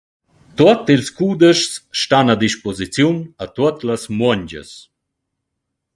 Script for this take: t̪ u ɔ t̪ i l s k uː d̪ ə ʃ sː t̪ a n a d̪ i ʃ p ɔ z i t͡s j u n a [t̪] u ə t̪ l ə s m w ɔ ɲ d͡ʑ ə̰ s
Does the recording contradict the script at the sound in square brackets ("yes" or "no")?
no